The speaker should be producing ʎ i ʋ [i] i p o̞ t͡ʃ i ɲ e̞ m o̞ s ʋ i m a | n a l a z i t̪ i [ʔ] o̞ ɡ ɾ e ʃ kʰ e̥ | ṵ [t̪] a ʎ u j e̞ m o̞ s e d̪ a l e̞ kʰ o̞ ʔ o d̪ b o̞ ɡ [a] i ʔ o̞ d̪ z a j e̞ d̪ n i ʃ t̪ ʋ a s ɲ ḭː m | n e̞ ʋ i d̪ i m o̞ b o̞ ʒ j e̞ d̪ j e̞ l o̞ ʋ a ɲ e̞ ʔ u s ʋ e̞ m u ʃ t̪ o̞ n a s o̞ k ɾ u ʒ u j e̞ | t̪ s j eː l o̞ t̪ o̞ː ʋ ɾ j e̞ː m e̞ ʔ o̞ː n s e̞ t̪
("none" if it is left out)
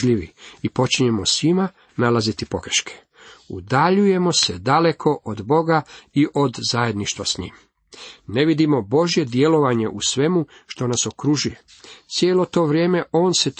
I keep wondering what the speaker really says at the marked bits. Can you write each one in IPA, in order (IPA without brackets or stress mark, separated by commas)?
i, p, d̪, a